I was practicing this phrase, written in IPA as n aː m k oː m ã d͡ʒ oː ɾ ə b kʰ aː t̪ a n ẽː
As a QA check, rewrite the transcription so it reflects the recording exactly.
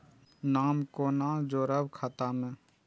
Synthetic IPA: n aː m k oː n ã d͡ʒ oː ɾ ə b kʰ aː t̪ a m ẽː